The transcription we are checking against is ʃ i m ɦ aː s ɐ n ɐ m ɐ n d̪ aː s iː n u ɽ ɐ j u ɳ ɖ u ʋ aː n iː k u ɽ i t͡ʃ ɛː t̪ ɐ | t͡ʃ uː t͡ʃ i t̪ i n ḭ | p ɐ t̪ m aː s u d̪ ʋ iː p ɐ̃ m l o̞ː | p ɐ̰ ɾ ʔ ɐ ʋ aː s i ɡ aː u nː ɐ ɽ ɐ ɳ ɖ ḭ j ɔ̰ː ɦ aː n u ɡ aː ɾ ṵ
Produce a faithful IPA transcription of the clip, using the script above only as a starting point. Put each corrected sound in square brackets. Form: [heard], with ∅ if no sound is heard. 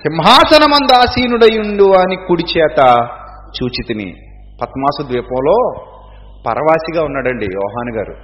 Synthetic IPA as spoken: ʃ i m ɦ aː s ɐ n ɐ m ɐ n d̪ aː s iː n u ɽ ɐ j u ɳ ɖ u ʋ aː n [i] k u ɽ i t͡ʃ ɛː t̪ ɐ | t͡ʃ uː t͡ʃ i t̪ i n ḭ | p ɐ t̪ m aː s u d̪ ʋ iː p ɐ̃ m l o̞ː | p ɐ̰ ɾ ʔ ɐ ʋ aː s i ɡ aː u nː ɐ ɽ ɐ ɳ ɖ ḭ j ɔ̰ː ɦ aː n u ɡ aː ɾ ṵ